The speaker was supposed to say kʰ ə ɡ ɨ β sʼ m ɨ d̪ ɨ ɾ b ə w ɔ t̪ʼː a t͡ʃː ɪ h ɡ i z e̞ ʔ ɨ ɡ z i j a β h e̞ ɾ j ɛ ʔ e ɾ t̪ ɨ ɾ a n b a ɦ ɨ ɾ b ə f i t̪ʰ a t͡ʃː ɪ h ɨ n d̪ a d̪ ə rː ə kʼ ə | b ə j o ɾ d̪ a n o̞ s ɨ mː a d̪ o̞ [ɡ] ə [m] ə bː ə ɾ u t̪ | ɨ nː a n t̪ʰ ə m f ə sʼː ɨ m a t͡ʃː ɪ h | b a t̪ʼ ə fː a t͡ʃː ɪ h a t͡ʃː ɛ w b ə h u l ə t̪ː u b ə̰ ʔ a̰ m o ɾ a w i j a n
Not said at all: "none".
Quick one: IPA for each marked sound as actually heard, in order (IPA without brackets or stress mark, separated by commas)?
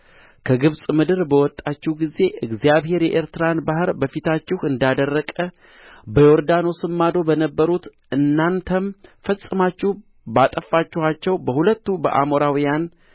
b, n